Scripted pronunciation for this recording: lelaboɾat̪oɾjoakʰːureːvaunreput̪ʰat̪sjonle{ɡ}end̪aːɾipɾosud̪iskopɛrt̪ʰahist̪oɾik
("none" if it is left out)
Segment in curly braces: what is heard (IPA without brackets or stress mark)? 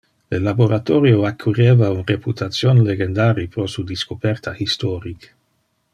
ɡ